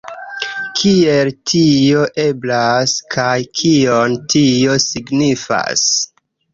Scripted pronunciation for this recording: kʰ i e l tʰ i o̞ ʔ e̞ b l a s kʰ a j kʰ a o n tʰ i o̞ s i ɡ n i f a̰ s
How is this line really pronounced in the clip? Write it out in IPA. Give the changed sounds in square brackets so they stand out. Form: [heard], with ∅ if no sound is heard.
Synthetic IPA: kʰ i e l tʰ i o̞ ʔ e̞ b l a s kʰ a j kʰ [i] o n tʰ i o̞ s i ɡ n i f a̰ s